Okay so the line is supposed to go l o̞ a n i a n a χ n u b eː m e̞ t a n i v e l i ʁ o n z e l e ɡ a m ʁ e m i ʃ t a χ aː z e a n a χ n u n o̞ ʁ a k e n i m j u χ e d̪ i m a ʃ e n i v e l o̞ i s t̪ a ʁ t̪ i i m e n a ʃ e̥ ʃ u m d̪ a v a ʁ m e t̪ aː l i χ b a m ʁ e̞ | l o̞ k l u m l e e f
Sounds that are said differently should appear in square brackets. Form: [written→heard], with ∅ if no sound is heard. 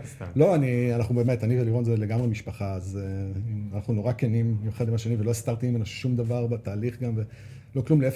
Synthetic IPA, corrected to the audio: l o̞ a n i a n a χ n u b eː m e̞ t a n i v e l i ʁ o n z e l e ɡ a m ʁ e m i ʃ [t→p] a χ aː z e a n a χ n u n o̞ ʁ a k e n i m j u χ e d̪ i m a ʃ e n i v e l o̞ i s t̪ a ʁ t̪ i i m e n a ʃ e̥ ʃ u m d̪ a v a ʁ [m→b] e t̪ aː l i χ [b→ɡ] a m [ʁ→v] e̞ | l o̞ k l u m l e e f